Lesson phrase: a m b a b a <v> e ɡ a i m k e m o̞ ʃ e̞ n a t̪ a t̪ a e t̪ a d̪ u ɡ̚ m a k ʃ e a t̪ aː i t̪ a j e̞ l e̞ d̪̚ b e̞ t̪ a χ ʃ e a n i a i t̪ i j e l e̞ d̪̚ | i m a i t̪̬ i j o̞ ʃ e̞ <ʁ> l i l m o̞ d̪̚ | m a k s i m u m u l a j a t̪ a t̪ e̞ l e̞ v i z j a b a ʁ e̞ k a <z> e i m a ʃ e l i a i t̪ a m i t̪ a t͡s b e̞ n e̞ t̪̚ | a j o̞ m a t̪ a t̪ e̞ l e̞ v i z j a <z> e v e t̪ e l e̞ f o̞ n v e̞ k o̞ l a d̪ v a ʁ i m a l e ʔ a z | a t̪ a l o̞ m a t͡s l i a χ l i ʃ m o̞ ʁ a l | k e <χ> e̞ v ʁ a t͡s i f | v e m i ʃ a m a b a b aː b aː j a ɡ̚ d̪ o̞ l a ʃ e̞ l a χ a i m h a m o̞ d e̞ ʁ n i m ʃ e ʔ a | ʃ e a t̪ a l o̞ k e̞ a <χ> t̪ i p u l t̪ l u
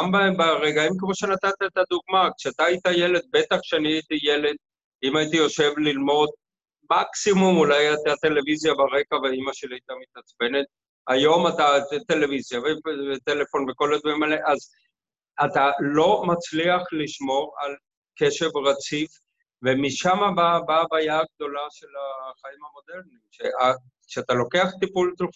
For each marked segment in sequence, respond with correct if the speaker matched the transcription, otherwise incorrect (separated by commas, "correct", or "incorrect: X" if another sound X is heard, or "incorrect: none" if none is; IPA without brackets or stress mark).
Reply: incorrect: ʁ, incorrect: v, incorrect: v, incorrect: v, incorrect: ʃ, correct